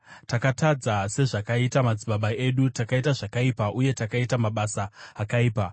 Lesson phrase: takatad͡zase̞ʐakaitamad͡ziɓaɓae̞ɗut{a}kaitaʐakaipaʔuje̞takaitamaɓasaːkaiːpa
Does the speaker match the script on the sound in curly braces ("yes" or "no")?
yes